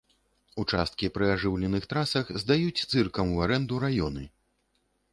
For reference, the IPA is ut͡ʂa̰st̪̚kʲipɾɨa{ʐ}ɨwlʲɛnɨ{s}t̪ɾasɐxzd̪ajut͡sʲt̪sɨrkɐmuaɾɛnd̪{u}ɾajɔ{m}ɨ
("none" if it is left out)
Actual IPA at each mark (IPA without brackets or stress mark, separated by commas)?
ʐ, x, u, n